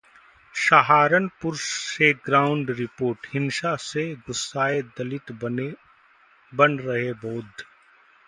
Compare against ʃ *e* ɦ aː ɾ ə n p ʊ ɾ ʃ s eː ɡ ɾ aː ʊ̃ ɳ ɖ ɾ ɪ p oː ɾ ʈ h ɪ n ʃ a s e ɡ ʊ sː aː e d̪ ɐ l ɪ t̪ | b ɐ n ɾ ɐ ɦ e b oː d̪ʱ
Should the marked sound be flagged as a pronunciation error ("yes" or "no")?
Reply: yes